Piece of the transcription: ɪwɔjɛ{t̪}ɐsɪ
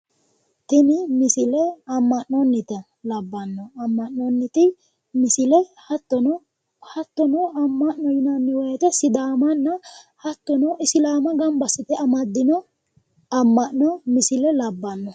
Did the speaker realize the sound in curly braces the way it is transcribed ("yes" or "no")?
yes